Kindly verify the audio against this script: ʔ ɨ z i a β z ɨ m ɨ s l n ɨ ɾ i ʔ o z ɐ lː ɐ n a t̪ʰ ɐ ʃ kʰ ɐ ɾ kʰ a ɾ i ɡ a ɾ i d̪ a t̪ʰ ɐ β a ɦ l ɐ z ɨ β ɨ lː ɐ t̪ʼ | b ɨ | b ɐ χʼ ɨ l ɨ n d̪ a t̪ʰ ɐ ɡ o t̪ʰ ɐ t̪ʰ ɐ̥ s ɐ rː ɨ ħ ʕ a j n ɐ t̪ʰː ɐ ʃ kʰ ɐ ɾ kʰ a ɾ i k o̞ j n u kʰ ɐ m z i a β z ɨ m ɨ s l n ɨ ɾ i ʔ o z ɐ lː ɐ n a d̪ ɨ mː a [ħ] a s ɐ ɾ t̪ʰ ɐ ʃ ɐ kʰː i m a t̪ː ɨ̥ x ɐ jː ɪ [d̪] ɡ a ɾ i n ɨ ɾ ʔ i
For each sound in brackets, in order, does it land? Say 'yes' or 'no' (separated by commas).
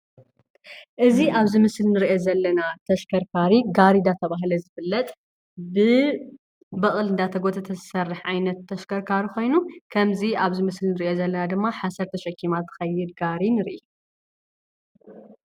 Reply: yes, yes